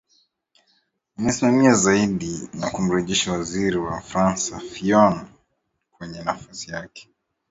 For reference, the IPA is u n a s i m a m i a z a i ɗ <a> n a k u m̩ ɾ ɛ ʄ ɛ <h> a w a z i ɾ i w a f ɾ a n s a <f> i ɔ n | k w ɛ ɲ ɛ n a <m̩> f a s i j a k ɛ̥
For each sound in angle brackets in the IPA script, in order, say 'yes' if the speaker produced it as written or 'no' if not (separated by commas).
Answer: no, no, yes, no